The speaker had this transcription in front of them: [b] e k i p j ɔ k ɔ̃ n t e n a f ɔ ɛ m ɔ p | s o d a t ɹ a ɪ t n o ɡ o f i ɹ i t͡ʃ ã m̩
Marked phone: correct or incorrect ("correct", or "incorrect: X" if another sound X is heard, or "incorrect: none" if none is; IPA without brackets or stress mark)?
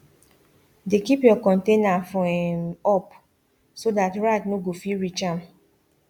incorrect: d